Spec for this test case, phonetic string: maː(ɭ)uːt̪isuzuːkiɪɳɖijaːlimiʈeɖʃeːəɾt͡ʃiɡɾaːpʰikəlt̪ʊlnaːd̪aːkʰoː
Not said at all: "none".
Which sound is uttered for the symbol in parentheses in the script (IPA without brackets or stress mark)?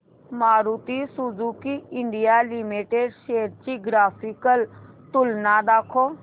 ɾ